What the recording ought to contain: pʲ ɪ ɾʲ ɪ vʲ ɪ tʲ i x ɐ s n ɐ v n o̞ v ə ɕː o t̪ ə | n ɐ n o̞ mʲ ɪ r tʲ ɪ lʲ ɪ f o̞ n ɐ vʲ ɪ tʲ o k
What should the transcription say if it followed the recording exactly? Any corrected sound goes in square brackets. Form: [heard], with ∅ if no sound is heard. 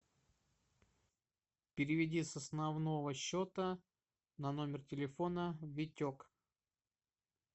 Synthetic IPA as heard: pʲ ɪ ɾʲ ɪ vʲ ɪ [dʲ] i [s] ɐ s n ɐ v n o̞ v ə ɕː o t̪ ə | n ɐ n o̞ mʲ ɪ r tʲ ɪ lʲ ɪ f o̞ n [ə] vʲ ɪ tʲ o k